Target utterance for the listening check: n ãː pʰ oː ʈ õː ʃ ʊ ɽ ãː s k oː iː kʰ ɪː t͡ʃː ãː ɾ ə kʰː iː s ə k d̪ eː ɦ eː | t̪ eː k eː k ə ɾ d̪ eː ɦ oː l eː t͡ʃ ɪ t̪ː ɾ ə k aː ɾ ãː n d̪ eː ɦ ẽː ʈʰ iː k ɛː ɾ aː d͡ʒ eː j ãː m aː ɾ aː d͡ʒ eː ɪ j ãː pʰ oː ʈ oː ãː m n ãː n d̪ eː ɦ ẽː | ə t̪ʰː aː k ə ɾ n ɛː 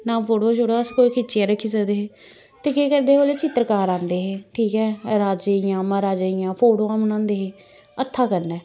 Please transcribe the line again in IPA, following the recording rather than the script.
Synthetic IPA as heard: n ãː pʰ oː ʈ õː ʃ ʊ ɽ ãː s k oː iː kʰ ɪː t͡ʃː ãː ɾ ə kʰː iː s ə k d̪ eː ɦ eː | t̪ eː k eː k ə ɾ d̪ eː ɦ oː l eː t͡ʃ ɪ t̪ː ɾ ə k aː ɾ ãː n d̪ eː ɦ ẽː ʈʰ iː k ɛː ɾ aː d͡ʒ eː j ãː m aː ɾ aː d͡ʒ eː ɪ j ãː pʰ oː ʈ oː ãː m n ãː n d̪ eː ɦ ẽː | ə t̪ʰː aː k ə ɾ n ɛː